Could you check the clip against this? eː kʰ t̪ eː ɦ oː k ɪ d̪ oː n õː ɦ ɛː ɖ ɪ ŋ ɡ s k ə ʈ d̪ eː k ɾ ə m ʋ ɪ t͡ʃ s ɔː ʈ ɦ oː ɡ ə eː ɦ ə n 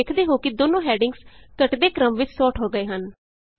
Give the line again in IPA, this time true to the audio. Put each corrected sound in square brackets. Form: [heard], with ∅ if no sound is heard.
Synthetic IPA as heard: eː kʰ [d̪] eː ɦ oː k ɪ d̪ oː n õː ɦ ɛː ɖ ɪ ŋ ɡ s k ə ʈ d̪ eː k ɾ ə m ʋ ɪ t͡ʃ s ɔː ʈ ɦ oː ɡ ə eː ɦ ə n

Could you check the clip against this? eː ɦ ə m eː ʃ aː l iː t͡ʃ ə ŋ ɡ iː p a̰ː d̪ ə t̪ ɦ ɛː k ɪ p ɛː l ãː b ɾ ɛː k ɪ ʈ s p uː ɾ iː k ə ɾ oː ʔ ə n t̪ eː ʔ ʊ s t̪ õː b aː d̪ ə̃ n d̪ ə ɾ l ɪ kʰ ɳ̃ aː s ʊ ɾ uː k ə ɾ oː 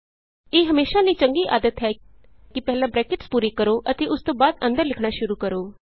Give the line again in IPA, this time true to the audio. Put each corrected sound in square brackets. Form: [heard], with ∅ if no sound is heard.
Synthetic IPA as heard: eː ɦ ə m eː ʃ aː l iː t͡ʃ ə ŋ ɡ iː [ʔ] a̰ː d̪ ə t̪ ɦ ɛː k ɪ p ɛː l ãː b ɾ ɛː k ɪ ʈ s p uː ɾ iː k ə ɾ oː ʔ ə [∅] t̪ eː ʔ ʊ s t̪ õː b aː d̪ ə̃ n d̪ ə ɾ l ɪ kʰ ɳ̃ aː [ʃ] ʊ ɾ uː k ə ɾ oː

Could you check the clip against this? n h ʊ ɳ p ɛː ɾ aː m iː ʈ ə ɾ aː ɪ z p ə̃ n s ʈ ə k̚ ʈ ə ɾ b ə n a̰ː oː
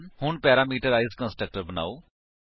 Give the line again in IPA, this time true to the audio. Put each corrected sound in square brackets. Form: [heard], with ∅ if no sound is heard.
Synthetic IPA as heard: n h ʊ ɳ p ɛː ɾ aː m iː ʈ ə ɾ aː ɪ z [k] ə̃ n s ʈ ə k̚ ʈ ə ɾ b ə n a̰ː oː

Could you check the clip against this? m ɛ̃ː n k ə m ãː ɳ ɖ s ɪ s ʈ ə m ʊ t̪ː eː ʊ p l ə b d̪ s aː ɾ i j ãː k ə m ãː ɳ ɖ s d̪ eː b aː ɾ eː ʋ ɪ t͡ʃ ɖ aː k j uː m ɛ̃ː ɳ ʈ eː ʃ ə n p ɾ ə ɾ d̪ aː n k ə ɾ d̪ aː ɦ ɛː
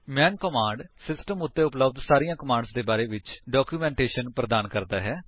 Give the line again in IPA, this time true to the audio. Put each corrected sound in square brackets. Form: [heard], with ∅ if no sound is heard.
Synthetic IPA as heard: m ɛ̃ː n k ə m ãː ɳ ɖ s ɪ s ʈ ə m ʊ t̪ː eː ʊ p l ə b d̪ s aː ɾ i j ãː k ə m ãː ɳ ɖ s d̪ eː b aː ɾ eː ʋ ɪ t͡ʃ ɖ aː k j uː m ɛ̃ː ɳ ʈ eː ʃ ə n p ɾ ə [∅] d̪ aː n k ə ɾ d̪ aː ɦ ɛː

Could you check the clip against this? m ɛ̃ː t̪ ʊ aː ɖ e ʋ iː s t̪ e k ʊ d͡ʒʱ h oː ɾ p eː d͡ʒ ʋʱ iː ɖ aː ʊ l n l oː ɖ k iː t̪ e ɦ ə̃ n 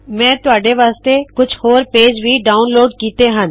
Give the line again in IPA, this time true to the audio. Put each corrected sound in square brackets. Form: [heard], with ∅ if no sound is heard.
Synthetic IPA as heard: m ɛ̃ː t̪ ʊ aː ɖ e ʋ [aː] s t̪ e k ʊ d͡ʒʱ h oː ɾ p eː d͡ʒ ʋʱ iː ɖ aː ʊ [∅] n l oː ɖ k iː t̪ e ɦ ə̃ n

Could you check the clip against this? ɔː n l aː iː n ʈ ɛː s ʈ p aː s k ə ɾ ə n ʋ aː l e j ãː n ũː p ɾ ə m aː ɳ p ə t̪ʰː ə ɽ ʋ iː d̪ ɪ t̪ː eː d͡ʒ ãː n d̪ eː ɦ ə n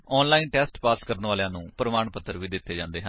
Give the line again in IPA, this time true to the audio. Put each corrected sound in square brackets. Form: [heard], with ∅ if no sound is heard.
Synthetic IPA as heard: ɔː n l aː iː n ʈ ɛː s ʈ p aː s k ə ɾ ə n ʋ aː l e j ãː n ũː p ɾ ə m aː ɳ p ə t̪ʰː ə [ɾ] ʋ iː d̪ ɪ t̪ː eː d͡ʒ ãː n d̪ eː ɦ ə n

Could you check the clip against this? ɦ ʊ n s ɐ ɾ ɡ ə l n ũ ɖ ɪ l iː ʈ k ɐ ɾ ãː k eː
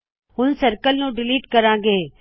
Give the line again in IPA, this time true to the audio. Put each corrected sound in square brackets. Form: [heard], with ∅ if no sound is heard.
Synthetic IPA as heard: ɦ ʊ n s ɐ ɾ [k] ə l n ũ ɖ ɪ l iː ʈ k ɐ ɾ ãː [ɡ] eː

